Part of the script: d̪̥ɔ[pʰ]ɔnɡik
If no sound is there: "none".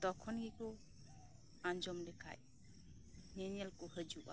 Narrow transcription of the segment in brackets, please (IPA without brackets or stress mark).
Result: kʰ